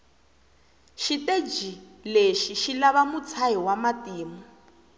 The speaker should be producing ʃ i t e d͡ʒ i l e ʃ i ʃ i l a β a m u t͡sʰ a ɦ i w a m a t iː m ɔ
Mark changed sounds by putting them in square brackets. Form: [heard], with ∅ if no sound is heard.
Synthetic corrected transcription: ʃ i t e d͡ʒ i l e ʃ i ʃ i l a β a m u t͡sʰ a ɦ i w a m a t iː m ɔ